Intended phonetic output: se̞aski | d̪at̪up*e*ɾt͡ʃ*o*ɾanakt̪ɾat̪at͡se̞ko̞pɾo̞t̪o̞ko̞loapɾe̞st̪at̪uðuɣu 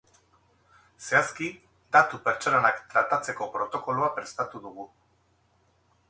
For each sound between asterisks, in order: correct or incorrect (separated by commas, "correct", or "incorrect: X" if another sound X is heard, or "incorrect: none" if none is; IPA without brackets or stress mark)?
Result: correct, correct